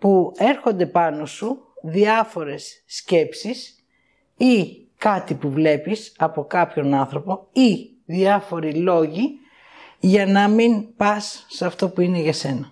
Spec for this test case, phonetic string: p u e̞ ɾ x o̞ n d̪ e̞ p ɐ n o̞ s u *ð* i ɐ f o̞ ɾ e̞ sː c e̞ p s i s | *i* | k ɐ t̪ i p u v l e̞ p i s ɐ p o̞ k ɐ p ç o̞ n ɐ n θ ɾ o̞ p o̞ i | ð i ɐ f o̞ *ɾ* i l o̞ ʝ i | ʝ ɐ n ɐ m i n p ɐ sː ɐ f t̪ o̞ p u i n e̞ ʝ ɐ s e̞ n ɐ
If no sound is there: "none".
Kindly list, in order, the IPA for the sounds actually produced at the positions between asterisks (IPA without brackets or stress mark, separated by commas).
ð, i, ɾ